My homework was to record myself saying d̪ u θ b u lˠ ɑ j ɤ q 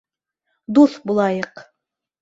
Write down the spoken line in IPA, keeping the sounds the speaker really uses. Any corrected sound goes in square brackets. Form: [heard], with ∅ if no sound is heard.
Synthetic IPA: d̪ u θ b u lˠ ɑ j ɤ q